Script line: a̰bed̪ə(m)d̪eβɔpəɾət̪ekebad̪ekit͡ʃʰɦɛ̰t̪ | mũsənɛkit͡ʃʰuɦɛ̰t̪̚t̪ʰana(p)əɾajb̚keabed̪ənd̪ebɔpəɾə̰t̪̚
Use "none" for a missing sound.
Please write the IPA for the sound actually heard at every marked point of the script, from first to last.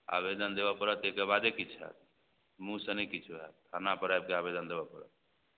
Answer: n, p

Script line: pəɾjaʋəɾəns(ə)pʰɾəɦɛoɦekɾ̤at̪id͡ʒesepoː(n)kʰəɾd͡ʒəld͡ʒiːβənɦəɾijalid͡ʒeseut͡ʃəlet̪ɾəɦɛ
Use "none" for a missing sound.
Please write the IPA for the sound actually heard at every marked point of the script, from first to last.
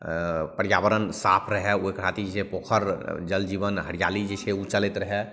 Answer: a, none

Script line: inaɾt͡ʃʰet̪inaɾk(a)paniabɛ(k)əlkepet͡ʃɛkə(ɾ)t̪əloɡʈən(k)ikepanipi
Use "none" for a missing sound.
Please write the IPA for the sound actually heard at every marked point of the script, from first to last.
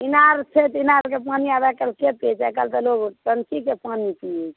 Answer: e, k, l, k

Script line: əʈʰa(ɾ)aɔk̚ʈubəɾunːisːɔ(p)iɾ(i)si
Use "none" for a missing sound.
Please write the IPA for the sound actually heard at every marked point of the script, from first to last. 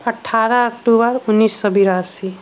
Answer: ɾ, b, a

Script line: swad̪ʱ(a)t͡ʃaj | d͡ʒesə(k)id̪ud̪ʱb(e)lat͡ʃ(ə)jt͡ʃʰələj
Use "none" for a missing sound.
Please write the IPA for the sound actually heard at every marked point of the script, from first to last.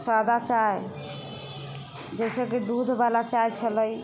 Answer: a, k, a, a

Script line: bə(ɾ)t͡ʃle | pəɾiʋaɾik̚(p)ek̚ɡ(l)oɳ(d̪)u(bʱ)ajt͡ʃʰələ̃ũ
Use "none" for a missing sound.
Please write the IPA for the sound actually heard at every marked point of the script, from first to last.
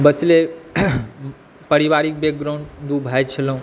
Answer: none, b, ɾ, d̪, bʱ

